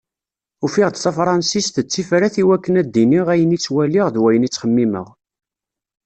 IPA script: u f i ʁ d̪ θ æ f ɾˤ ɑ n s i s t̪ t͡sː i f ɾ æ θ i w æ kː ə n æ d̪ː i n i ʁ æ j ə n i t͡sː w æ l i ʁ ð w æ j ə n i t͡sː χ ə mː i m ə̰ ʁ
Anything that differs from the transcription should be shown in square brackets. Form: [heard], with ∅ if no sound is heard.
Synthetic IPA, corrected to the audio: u f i ʁ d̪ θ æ f ɾˤ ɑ n s i s t̪ t͡sː i f ɾ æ θ i w æ kː ə n æ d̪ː i n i ʁ æ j ə n i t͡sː w æ l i ʁ ð w æ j ə n i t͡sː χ ə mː i m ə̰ ʁ